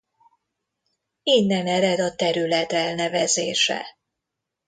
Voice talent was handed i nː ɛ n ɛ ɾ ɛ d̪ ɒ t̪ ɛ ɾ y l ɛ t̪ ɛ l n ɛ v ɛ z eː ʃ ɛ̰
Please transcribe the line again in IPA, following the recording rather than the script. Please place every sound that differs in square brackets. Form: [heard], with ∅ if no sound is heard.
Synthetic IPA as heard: i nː ɛ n ɛ ɾ ɛ d̪ ɒ t̪ ɛ ɾ y l ɛ t̪ ɛ l n ɛ v ɛ z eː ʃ ɛ̰